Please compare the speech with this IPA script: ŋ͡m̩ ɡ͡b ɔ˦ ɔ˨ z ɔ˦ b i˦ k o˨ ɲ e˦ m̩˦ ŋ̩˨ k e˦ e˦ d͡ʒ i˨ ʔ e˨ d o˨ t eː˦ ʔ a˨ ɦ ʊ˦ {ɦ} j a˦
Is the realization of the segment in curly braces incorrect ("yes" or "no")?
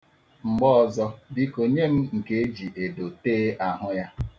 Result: yes